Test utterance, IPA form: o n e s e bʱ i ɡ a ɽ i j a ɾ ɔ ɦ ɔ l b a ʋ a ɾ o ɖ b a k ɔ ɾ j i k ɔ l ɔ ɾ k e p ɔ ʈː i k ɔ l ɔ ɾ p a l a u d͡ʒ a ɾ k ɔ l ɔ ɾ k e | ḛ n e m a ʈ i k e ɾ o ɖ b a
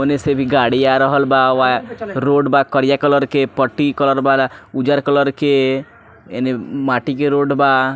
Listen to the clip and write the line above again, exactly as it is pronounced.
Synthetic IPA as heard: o n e s e bʱ i ɡ a ɽ i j a ɾ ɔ ɦ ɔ l b a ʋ a ɾ o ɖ b a k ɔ ɾ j a k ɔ l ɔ ɾ k e p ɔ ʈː i k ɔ l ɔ ɾ b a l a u d͡ʒ a ɾ k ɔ l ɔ ɾ k e | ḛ n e m a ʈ i k e ɾ o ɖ b a